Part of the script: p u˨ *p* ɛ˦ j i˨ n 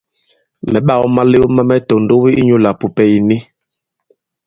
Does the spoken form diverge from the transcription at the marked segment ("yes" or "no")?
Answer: no